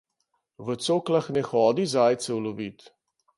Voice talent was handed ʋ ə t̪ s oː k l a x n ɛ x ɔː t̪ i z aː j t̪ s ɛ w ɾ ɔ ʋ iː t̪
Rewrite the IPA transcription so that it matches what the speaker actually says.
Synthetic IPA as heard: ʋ ə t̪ s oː k l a x n ɛ x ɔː d̪ i z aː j t̪ s ɛ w l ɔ ʋ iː t̪